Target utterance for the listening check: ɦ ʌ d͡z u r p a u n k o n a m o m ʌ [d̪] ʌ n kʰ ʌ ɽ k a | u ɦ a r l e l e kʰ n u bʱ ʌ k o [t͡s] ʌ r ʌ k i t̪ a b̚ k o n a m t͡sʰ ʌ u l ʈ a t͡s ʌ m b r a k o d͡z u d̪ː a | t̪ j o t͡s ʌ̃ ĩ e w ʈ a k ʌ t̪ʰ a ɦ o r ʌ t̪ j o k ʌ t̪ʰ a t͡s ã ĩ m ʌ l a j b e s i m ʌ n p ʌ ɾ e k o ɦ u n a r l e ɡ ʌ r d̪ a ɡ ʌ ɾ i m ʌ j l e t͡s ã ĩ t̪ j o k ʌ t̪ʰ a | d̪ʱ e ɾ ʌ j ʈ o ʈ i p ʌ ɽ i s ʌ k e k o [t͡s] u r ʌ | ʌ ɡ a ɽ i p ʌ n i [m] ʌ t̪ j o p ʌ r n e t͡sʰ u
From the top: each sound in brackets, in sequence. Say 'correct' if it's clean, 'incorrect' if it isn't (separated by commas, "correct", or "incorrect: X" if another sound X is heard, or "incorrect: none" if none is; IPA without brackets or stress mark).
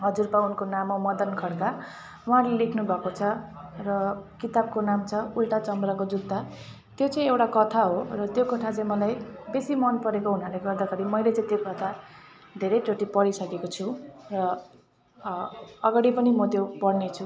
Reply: correct, incorrect: t͡sʰ, incorrect: t͡sʰ, correct